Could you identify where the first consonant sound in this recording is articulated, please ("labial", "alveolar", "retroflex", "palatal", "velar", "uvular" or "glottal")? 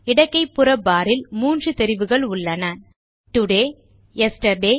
retroflex